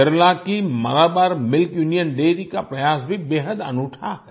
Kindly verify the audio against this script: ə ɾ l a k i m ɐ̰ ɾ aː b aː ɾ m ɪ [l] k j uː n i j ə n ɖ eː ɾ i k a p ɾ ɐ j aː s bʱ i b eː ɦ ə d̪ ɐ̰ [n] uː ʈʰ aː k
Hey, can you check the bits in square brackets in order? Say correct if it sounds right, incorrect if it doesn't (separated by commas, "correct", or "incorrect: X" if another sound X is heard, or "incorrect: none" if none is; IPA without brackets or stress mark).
correct, correct